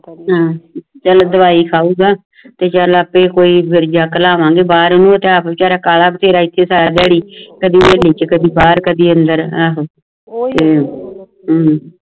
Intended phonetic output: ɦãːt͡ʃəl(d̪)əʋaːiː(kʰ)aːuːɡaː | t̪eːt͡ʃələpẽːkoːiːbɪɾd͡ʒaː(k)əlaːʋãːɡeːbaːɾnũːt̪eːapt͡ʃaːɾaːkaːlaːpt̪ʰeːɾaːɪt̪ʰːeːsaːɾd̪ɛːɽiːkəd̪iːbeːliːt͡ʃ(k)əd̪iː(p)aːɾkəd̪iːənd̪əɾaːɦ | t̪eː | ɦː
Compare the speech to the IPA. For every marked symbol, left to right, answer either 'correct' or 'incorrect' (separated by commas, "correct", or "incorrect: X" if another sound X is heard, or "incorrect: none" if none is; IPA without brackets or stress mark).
correct, correct, correct, correct, incorrect: b